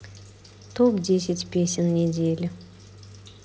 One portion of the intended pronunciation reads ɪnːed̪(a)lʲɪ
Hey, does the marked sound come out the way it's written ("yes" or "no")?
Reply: no